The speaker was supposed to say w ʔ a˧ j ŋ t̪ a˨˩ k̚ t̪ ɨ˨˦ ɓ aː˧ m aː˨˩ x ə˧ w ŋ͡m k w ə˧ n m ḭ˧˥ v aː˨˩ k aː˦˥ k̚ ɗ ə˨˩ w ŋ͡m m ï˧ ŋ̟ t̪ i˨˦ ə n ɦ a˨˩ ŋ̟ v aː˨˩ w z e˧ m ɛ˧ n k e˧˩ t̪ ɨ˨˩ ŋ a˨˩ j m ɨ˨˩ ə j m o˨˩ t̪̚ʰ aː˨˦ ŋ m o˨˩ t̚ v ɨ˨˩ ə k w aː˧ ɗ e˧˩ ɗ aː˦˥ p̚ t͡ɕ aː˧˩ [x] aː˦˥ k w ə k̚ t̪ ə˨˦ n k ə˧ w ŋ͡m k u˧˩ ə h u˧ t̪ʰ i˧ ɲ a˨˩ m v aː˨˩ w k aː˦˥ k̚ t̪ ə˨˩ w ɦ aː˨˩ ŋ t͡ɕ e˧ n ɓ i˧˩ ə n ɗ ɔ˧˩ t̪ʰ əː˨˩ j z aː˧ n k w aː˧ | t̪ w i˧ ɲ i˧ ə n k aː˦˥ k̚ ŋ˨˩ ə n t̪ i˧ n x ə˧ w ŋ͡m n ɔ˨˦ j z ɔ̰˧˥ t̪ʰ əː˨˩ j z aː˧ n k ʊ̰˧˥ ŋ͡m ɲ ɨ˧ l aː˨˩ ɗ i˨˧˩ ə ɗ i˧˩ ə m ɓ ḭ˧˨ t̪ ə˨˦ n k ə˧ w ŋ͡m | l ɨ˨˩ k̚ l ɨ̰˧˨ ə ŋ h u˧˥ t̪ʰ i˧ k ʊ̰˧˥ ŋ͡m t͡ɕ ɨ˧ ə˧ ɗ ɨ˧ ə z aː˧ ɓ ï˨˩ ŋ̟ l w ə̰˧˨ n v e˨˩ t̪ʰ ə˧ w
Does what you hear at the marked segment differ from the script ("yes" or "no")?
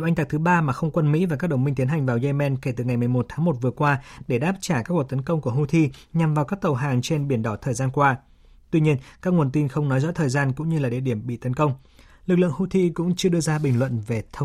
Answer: yes